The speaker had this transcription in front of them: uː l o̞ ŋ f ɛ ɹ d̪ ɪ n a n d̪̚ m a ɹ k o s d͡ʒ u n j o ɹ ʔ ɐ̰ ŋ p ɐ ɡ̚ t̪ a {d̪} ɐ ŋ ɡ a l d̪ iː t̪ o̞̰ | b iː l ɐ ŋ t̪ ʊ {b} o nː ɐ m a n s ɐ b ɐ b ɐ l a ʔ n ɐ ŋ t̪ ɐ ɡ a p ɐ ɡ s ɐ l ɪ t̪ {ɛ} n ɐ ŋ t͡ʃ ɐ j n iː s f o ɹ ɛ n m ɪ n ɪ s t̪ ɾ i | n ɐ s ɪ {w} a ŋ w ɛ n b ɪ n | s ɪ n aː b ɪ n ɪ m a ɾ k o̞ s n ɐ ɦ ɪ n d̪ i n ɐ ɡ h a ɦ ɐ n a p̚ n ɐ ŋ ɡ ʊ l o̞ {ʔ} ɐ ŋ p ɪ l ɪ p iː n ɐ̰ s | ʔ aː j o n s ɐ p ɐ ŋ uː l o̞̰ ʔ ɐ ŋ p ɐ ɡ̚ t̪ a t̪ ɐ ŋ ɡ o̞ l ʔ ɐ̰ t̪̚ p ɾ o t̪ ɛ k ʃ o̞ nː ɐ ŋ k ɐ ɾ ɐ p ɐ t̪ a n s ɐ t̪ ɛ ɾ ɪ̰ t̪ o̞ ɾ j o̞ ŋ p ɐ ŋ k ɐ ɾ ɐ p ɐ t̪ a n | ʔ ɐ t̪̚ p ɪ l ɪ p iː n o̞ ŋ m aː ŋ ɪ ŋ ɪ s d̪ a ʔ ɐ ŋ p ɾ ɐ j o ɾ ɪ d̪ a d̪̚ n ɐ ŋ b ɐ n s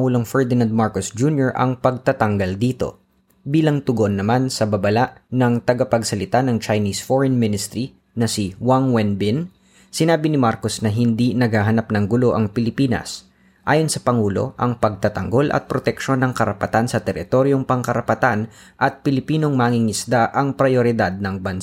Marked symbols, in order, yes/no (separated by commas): no, no, no, yes, yes